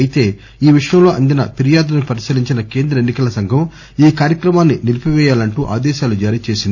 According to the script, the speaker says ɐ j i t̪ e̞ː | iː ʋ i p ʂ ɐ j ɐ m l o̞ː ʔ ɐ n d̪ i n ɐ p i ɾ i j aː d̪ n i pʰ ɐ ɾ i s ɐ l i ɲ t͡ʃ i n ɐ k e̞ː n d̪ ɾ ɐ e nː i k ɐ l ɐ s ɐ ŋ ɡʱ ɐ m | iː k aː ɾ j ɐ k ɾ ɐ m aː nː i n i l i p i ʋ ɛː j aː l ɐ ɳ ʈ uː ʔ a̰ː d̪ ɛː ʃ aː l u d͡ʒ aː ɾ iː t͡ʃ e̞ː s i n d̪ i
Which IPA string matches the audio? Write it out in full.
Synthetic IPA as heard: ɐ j i t̪ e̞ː | iː ʋ i ʂ ɐ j ɐ m l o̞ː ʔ ɐ n d̪ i n ɐ p i ɾ i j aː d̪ n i p ɐ ɾ i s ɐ l i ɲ t͡ʃ i n ɐ k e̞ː n d̪ ɾ ɐ e nː i k ɐ l ɐ s ɐ ŋ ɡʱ ɐ m | iː k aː ɾ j ɐ k ɾ ɐ m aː nː i n i l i p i ʋ ɛː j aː l ɐ ɳ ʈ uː ʔ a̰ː d̪ ɛː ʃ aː l u d͡ʒ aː ɾ iː t͡ʃ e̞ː s i n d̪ i